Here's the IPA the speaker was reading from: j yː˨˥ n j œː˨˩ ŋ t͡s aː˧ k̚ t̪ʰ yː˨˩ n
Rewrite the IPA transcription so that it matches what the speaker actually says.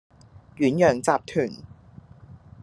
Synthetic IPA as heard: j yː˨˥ n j œː˨˩ ŋ t͡s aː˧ p̚ t̪ʰ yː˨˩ n